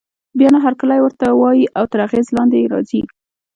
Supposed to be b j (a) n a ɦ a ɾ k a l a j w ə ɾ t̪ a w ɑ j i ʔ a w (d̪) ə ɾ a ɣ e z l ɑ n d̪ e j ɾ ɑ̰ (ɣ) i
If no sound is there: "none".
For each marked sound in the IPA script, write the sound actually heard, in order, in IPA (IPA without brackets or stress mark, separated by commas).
ɑ, t̪, z